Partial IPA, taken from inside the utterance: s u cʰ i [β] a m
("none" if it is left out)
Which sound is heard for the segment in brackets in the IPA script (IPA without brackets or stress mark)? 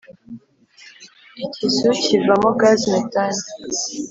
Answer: v